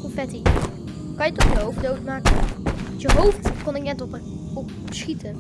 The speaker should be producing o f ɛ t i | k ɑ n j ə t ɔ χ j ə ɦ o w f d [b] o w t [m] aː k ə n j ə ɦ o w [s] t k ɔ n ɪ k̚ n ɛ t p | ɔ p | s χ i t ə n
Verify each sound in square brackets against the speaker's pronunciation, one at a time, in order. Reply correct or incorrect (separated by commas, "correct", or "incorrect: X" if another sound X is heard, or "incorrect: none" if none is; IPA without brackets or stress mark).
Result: incorrect: d, correct, incorrect: f